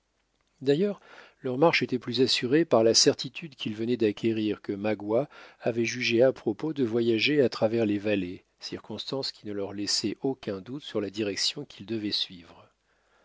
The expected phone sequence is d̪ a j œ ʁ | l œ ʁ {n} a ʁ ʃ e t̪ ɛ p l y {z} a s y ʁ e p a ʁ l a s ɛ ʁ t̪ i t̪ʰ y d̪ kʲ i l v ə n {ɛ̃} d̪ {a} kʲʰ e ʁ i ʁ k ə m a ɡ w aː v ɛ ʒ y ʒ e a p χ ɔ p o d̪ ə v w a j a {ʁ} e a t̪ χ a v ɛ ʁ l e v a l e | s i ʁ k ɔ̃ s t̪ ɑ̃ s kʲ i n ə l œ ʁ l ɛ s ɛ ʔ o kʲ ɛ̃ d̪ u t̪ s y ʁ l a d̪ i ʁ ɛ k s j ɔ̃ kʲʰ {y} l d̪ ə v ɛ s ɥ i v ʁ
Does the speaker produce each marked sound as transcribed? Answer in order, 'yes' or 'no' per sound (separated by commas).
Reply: no, yes, no, yes, no, no